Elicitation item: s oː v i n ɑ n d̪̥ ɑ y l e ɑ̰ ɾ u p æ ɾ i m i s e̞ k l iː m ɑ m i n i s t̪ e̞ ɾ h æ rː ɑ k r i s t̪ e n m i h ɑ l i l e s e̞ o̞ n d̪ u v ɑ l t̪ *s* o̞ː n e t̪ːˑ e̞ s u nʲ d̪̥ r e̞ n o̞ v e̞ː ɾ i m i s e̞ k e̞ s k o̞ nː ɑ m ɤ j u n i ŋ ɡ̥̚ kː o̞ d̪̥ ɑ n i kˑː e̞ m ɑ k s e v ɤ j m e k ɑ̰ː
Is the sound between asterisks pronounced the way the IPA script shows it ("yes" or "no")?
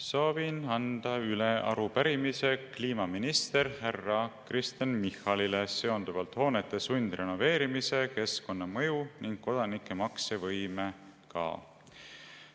no